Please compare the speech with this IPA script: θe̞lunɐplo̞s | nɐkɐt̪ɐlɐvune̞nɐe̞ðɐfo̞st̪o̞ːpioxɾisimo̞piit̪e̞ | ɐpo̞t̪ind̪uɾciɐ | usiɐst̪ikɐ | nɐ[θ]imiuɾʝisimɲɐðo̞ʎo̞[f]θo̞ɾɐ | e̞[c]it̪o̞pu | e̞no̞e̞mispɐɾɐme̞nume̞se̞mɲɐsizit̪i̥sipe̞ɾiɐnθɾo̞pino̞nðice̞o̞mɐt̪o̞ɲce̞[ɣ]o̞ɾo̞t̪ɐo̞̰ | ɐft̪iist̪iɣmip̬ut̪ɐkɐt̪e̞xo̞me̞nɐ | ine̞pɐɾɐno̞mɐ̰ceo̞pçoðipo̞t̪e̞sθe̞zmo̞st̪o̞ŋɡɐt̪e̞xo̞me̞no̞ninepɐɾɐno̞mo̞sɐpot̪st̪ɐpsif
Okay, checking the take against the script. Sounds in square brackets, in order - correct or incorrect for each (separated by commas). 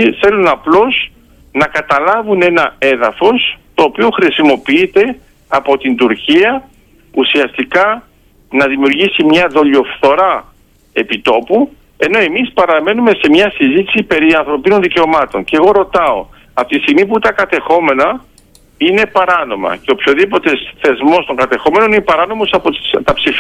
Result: incorrect, correct, incorrect, correct